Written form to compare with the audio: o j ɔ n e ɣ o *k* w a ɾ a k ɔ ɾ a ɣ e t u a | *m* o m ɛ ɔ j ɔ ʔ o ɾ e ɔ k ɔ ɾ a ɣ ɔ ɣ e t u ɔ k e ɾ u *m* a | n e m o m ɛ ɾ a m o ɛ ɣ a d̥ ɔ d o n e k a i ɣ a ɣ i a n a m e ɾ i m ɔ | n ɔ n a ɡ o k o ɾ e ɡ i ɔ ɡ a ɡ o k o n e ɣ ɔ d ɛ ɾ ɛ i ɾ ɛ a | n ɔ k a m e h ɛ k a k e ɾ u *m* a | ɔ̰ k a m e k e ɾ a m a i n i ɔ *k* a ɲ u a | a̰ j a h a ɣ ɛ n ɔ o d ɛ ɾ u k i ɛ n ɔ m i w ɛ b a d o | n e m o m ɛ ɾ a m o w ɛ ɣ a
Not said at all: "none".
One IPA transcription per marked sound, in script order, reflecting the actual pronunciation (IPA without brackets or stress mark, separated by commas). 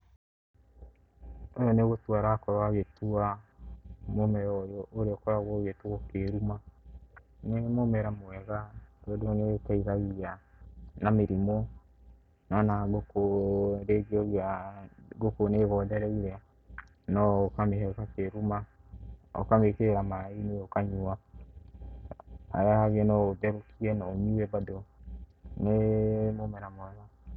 t, m, m, m, k